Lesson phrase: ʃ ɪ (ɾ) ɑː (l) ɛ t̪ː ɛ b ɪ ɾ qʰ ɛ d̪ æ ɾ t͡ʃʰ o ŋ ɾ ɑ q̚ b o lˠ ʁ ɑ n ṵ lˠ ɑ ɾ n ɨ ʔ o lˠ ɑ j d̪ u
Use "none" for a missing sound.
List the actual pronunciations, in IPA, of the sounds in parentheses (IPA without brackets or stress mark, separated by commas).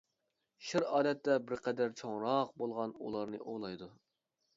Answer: ɾ, l